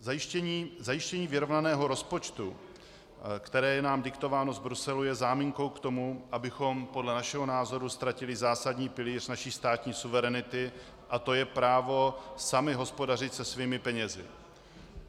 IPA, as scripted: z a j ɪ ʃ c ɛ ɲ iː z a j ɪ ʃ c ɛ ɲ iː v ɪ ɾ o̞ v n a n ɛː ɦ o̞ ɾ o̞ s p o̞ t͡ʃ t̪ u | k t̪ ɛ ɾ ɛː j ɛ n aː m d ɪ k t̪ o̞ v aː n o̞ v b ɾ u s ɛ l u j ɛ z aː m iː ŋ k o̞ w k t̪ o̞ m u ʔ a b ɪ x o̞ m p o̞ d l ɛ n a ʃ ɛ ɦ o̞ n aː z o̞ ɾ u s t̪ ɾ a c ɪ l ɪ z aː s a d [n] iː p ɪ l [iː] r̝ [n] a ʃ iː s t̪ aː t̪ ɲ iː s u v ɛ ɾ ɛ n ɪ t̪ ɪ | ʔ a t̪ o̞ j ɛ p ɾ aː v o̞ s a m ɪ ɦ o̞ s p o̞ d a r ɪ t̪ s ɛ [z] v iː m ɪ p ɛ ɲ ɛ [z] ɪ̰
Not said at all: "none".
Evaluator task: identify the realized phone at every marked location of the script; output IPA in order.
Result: ɲ, iː, n, s, z

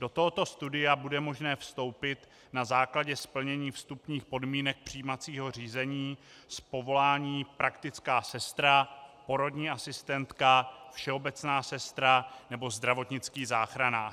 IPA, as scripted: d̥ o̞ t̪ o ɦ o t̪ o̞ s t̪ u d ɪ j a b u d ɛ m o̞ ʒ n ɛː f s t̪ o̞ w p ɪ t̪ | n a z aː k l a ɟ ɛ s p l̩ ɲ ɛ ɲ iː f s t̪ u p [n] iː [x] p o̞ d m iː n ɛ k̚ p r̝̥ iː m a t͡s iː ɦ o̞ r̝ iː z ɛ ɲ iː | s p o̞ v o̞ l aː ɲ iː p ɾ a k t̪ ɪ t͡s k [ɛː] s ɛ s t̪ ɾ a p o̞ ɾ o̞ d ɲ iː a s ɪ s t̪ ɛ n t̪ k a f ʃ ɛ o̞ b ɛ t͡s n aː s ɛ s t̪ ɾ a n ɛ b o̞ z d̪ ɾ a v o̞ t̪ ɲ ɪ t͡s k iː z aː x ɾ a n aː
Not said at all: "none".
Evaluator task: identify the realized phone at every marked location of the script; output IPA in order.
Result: ɲ, x, aː

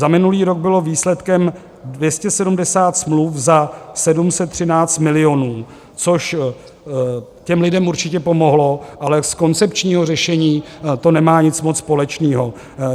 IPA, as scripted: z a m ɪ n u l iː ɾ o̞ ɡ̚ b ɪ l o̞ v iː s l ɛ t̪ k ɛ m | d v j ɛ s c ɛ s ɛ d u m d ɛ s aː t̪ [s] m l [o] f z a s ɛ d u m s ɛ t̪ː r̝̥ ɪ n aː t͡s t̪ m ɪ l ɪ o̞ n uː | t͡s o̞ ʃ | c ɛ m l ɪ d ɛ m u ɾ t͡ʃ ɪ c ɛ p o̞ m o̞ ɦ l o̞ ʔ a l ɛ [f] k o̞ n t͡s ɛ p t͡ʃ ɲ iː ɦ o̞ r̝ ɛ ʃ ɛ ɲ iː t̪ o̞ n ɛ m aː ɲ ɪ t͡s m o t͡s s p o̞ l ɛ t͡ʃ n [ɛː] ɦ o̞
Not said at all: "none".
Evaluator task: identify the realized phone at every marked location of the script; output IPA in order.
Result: s, u, s, iː

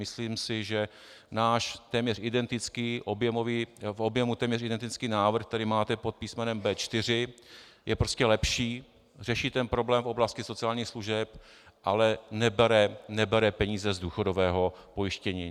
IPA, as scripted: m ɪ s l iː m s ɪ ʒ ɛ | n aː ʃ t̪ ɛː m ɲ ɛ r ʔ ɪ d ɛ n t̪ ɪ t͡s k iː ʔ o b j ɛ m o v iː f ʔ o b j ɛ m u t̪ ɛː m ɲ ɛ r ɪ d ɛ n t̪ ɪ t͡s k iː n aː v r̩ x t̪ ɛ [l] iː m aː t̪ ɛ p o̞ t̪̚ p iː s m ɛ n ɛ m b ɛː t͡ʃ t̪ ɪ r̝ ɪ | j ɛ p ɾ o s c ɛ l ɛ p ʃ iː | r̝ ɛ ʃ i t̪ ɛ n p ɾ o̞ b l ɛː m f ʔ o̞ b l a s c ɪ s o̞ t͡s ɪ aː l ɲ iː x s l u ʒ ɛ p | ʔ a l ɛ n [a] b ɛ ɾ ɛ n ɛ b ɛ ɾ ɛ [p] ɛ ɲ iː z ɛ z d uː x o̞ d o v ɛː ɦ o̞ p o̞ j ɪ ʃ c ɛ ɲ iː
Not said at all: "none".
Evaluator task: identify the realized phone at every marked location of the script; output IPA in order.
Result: ɾ, ɛ, p

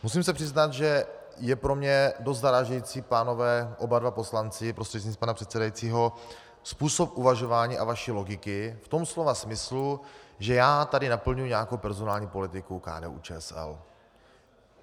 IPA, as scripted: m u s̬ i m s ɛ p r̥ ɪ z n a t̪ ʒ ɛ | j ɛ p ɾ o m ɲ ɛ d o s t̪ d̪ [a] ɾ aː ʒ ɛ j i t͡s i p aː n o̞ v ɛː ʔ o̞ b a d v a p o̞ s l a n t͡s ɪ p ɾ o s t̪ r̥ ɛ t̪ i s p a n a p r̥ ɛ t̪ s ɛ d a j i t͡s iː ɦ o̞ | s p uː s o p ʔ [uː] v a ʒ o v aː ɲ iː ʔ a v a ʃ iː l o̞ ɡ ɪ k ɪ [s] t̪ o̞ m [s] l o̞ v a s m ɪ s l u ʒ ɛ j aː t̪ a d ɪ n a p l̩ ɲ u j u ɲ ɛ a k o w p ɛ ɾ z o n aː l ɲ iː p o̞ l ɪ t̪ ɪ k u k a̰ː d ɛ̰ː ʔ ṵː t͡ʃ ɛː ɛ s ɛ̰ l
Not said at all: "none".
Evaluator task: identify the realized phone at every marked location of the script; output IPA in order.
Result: a, u, f, s

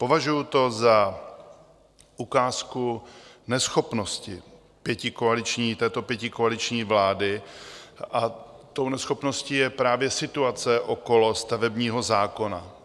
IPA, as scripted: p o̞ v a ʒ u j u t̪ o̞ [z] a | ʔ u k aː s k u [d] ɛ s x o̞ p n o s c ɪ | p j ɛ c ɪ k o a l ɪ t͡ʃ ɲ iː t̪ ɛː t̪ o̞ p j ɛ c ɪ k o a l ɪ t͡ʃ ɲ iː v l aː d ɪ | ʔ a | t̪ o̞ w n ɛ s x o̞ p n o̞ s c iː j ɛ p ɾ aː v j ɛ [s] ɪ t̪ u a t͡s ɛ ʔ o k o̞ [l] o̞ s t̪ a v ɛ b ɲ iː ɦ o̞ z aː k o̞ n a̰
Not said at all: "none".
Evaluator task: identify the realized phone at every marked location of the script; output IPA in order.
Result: z, n, s, l

